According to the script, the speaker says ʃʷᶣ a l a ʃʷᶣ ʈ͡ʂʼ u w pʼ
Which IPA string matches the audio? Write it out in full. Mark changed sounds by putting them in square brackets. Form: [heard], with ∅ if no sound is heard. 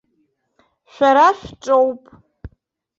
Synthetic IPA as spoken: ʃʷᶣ a [ɾ] a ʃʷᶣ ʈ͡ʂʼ [o] w pʼ